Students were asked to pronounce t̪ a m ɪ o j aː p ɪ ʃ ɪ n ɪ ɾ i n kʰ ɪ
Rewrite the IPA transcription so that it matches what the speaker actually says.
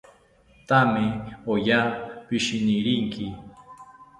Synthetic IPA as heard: t̪ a m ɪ o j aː p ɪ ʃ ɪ n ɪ ɾ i ŋ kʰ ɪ